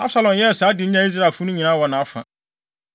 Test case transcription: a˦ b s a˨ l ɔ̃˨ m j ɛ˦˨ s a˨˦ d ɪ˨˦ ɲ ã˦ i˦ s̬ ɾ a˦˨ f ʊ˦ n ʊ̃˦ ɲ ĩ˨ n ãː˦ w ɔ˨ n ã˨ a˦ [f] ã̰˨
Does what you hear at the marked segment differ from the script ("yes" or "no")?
no